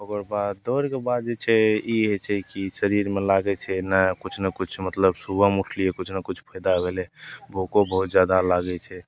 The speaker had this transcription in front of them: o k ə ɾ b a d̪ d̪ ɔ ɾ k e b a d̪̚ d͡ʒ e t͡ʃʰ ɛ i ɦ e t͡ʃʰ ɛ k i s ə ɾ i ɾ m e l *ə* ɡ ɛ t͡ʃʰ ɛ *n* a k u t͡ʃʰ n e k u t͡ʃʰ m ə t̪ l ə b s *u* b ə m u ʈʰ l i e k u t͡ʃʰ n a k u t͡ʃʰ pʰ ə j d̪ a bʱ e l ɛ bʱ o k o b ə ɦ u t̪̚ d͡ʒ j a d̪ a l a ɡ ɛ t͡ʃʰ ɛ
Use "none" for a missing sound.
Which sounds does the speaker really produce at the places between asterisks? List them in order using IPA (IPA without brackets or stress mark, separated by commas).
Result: a, n, u